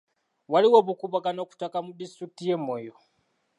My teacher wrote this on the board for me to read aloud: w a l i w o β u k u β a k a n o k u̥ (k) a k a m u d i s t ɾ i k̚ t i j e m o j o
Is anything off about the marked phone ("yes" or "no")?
yes